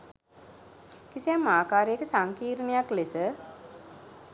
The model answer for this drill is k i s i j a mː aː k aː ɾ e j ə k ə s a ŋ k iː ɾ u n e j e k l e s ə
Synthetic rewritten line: k i s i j a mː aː k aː ɾ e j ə k ə s a ŋ k iː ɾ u n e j a k l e s ə